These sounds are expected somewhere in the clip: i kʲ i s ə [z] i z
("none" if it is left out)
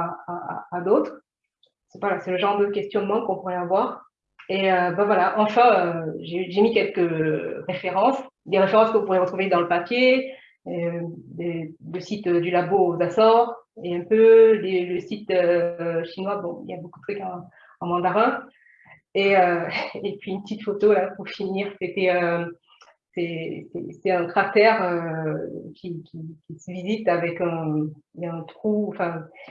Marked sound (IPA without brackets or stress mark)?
v